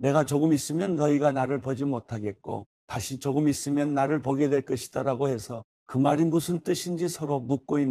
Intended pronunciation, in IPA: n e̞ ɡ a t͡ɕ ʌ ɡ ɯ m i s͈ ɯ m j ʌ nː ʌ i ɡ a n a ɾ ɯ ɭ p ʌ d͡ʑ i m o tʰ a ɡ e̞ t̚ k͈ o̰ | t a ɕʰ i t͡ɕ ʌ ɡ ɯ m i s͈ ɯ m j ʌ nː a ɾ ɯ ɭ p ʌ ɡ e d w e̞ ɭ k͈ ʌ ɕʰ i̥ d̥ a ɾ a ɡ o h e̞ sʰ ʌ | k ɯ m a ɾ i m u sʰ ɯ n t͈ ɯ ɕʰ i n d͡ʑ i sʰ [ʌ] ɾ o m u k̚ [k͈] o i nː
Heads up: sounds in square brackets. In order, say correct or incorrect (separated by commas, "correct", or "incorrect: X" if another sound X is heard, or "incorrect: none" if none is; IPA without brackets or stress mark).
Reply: correct, correct